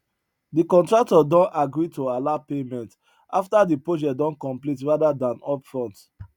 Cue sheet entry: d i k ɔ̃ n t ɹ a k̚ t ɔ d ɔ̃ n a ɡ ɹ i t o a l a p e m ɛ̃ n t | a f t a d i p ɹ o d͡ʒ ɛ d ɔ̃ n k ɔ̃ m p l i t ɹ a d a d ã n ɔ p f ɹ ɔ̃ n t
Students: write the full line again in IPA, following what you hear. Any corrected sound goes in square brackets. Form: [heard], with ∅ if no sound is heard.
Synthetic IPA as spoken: d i k ɔ̃ n t ɹ a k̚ t ɔ d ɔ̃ n a ɡ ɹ i t o a l a p e m ɛ̃ n t | a f t a d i p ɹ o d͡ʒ ɛ d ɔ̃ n k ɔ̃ m p l i t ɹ a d a d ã n ɔ p f ɹ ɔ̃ n t